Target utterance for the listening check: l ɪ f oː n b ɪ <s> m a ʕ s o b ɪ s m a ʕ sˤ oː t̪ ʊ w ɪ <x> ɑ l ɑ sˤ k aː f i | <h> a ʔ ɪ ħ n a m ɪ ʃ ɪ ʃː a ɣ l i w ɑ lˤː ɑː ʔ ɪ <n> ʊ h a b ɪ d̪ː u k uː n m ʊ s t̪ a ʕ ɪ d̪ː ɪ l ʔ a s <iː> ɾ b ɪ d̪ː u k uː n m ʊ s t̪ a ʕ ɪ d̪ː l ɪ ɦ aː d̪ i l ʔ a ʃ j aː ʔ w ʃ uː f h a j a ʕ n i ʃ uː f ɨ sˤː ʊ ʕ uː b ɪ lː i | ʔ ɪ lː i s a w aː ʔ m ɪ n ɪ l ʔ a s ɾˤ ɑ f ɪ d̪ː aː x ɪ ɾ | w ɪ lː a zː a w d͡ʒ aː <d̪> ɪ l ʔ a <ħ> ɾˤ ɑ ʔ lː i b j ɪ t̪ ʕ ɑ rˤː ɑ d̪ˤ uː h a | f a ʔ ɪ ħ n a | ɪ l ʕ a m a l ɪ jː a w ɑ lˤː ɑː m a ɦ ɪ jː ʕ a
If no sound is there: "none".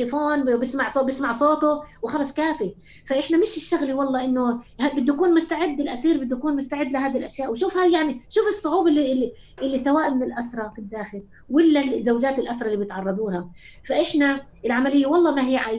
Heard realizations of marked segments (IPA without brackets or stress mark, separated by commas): s, x, f, nː, iː, t̪, s